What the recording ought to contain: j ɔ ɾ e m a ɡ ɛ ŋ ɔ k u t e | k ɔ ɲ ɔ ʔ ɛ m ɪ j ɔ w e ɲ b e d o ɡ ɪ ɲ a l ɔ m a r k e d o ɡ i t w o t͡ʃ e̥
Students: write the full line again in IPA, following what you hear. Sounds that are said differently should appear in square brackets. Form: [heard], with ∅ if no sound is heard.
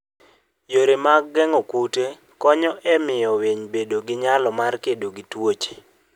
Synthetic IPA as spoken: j [o] ɾ e m a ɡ ɛ ŋ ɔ k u t e | k ɔ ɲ ɔ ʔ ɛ m ɪ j ɔ w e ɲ b e d o ɡ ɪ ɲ a l ɔ m a r k e d o ɡ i t w o t͡ʃ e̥